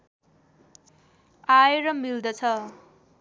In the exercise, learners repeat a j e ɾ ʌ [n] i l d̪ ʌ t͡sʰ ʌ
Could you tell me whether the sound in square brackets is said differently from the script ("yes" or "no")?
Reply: yes